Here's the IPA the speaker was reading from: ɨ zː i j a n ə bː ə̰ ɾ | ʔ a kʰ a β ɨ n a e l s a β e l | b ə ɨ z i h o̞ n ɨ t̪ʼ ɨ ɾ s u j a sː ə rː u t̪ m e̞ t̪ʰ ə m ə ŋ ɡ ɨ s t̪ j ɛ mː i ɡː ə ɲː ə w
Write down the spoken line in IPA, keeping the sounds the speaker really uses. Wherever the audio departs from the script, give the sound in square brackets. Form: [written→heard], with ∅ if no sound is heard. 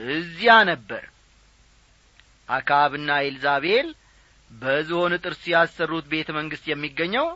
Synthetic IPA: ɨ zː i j a n ə bː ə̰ ɾ | ʔ a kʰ a β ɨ [n→nː] a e l [s→z] a β e l | b ə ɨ z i h o̞ n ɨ t̪ʼ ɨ ɾ s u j a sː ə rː u t̪ [m→b] e̞ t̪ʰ ə m ə ŋ ɡ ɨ s t̪ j ɛ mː i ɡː ə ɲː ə w